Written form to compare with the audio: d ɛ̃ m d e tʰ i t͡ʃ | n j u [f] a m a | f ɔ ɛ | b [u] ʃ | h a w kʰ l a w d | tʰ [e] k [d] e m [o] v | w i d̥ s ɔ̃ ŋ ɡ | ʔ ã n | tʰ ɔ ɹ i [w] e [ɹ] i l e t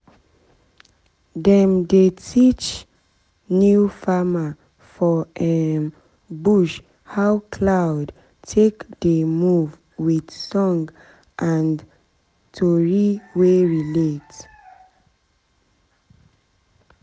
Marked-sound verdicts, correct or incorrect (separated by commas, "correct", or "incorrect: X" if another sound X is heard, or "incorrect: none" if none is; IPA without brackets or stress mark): correct, correct, correct, correct, incorrect: u, correct, correct